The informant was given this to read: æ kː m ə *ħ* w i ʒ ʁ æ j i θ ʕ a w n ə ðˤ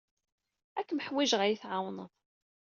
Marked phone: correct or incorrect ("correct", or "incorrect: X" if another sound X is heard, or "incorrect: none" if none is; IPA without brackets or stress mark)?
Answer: correct